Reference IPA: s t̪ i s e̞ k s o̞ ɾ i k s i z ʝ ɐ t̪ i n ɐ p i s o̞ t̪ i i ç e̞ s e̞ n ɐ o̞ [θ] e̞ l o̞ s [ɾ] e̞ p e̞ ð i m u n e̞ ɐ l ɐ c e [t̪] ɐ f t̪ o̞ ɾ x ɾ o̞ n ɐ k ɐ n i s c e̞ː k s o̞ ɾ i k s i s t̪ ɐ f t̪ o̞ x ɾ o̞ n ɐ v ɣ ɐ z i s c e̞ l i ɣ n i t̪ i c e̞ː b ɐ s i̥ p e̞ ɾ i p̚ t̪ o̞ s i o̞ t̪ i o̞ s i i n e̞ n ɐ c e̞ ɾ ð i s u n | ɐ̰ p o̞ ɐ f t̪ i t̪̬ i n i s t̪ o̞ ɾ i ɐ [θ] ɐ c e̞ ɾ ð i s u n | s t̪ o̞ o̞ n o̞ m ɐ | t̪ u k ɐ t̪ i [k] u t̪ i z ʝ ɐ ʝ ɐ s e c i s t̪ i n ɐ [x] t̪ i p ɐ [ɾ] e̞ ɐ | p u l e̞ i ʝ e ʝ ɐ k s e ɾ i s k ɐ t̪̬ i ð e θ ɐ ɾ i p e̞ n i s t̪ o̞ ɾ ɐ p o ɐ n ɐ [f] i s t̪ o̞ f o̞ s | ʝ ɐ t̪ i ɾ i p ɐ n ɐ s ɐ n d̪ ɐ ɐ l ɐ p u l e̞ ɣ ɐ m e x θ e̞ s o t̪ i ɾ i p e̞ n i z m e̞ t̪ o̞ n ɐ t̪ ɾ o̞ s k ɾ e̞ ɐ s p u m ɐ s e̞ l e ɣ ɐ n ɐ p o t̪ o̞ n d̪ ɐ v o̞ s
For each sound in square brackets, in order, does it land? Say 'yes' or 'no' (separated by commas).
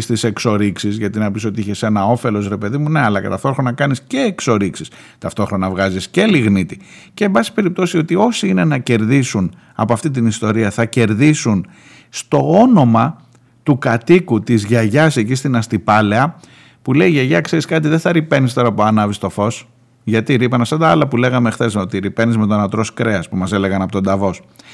no, yes, yes, yes, yes, no, no, no